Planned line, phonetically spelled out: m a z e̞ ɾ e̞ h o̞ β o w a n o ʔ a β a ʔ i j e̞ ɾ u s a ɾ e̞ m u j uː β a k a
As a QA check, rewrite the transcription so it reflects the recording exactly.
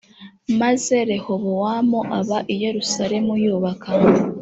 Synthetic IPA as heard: m a z e̞ ɾ e̞ h o̞ β o w a m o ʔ a β a ʔ i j e̞ ɾ u s a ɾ e̞ m u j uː β a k a

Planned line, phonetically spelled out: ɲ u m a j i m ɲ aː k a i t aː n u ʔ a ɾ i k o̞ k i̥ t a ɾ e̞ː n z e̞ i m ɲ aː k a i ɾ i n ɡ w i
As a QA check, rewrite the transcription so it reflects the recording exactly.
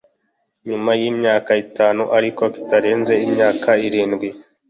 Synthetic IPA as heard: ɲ u m a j i m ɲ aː k a i t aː n u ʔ a ɾ i k o̞ k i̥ t a ɾ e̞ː n z e̞ i m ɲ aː k a i ɾ iː n ɡ w i

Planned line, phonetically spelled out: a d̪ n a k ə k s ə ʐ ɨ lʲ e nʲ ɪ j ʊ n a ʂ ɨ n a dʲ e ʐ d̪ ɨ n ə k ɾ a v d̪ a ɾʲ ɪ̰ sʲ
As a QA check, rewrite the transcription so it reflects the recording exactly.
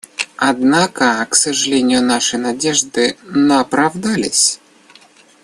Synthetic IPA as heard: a d̪ n a k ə k s ə ʐ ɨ lʲ e nʲ ɪ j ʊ n a ʂ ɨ n a dʲ e ʐ d̪ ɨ n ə p ɾ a v d̪ a lʲ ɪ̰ sʲ

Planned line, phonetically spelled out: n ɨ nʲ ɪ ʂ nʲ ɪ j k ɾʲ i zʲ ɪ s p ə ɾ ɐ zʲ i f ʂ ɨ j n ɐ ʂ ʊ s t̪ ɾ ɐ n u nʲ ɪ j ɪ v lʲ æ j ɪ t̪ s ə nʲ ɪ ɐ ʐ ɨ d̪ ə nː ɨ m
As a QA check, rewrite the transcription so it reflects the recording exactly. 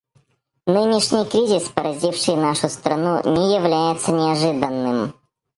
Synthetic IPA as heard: n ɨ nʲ ɪ ʂ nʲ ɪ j k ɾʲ i zʲ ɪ s p ə ɾ ɐ zʲ i f ʂ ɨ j n a ʂ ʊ s t̪ ɾ ɐ n u nʲ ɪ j ɪ v lʲ æ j ɪ t̪ s ə nʲ ɪ ɐ ʐ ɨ d̪ ə nː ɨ m

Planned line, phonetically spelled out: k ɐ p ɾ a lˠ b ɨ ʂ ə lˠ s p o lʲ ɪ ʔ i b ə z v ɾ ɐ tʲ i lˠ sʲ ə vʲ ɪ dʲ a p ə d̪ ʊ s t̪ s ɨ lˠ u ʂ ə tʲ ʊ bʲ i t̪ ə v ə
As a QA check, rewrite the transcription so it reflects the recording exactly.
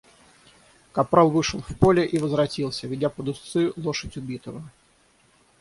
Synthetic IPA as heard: k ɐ p ɾ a lˠ v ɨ ʂ ə lˠ f p o lʲ ɪ ʔ i v ə z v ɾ ɐ tʲ i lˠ sʲ ə vʲ ɪ dʲ a p ə d̪ ʊ s t̪ s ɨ lˠ o ʂ ə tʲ ʊ bʲ i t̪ ə v ə

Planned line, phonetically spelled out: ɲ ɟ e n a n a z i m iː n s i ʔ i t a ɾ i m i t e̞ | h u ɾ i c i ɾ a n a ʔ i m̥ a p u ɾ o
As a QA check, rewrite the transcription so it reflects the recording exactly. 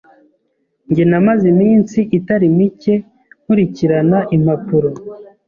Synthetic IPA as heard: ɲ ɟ e n a m a z i m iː n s i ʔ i t a ɾ i m i c e̞ | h u ɾ i c i ɾ a n a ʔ i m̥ a p u ɾ o

